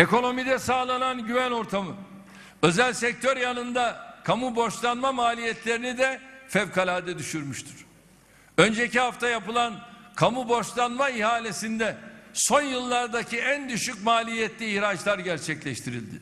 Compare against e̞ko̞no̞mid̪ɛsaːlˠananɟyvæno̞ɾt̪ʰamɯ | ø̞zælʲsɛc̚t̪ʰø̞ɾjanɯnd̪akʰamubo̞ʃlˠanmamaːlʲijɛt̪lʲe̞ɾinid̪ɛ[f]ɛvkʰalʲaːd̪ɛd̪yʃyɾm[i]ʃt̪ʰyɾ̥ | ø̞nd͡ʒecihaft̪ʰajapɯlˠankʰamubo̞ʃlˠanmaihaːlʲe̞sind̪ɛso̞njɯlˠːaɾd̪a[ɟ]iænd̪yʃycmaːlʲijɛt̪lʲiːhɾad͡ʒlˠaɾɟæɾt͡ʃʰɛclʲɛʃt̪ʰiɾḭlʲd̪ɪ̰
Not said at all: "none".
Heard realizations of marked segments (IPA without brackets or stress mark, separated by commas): f, y, c